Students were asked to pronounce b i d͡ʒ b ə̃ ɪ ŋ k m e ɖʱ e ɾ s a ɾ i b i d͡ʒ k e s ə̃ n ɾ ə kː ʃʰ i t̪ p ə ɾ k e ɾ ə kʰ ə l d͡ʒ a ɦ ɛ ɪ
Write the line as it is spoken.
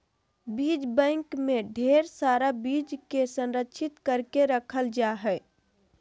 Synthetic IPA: b i d͡ʒ b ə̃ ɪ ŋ k m e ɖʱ e ɾ s a ɾ a b i d͡ʒ k e s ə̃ n ɾ ə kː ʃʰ i t̪ k ə ɾ k e ɾ ə kʰ ə l d͡ʒ a ɦ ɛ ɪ